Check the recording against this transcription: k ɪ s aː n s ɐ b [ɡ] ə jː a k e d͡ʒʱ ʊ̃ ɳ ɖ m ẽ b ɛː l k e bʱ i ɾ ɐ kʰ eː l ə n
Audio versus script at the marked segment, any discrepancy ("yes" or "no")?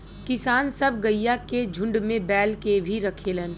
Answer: no